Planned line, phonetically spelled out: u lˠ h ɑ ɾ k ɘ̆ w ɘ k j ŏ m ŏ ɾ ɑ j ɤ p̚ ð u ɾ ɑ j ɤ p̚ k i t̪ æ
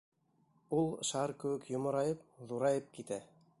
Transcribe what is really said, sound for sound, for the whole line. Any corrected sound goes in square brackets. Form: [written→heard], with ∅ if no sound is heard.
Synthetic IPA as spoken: u lˠ [h→ʃ] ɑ ɾ k ɘ̆ w ɘ k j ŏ m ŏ ɾ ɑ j ɤ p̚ ð u ɾ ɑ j ɤ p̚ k i t̪ æ